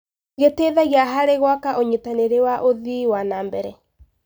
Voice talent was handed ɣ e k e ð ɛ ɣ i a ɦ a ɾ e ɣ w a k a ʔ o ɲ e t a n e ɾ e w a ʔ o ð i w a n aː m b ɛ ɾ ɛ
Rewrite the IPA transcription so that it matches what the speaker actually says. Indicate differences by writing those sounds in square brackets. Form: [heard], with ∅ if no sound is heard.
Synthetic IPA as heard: ɣ e [t] e ð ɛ ɣ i a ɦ a ɾ e ɣ w a k a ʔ o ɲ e t a n e ɾ e w a ʔ o ð i w a n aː m b ɛ ɾ ɛ